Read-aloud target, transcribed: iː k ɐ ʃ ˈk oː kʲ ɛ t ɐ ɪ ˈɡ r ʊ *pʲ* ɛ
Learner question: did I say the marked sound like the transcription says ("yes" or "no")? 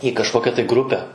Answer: yes